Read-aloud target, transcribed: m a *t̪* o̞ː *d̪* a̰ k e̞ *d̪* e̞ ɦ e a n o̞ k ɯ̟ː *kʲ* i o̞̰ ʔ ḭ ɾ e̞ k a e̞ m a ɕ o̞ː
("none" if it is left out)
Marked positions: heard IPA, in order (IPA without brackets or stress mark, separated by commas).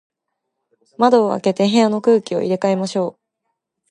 d̪, none, t̪, kʲ